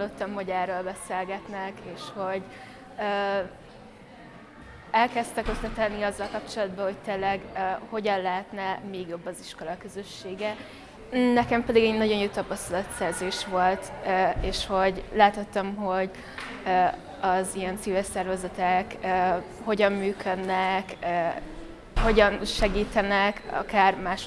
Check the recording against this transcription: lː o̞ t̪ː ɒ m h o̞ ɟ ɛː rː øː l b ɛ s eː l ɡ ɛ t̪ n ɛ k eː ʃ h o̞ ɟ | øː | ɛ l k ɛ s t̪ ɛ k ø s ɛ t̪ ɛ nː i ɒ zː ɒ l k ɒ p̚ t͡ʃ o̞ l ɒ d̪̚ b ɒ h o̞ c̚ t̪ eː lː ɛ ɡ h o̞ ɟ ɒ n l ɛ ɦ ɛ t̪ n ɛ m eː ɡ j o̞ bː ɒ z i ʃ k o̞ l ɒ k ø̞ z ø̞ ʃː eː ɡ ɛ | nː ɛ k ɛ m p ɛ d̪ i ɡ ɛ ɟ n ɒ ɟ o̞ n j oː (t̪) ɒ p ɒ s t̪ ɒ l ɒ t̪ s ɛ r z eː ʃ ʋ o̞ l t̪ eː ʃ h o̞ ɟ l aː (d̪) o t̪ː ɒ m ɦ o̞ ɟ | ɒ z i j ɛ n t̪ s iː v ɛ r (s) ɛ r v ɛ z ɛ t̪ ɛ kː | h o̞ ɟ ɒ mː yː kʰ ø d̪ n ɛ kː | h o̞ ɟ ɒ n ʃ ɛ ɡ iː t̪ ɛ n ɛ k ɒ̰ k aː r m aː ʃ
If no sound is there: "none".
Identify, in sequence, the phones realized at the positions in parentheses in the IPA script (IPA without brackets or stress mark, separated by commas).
t̪, t̪, s